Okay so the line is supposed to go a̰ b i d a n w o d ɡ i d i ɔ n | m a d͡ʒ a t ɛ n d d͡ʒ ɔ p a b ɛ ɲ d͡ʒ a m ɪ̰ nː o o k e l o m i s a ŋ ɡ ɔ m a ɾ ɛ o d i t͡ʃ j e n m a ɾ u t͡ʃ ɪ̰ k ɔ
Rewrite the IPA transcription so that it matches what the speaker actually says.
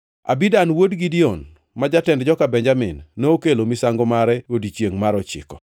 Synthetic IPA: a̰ b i d a n w o d ɡ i d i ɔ n | m a d͡ʒ a t ɛ n d d͡ʒ ɔ k a b ɛ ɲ d͡ʒ a m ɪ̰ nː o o k e l o m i s a ŋ ɡ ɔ m a ɾ ɛ o d i t͡ʃ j e ŋ m a ɾ ɔ t͡ʃ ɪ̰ k ɔ